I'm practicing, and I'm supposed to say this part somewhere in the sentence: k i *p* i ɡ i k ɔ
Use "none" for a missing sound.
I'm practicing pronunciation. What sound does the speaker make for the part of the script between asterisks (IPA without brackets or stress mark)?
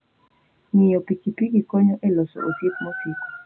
p